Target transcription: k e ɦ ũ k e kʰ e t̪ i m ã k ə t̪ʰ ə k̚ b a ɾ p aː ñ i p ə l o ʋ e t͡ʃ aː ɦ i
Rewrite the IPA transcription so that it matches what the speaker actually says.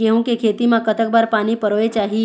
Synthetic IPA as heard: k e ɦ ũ k e kʰ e t̪ i m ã k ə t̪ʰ ə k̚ b a ɾ p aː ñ i p ə ɾ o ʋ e t͡ʃ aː ɦ i